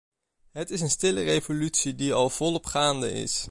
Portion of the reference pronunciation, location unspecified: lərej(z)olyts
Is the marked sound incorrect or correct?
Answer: incorrect